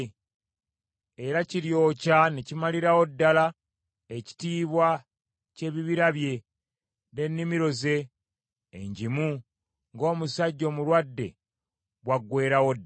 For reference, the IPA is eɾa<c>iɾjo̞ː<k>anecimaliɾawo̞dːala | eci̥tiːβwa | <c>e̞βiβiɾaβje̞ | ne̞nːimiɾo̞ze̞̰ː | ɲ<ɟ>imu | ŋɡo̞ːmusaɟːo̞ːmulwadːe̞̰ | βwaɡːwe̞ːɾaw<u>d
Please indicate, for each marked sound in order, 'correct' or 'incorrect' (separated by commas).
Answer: correct, incorrect, correct, correct, incorrect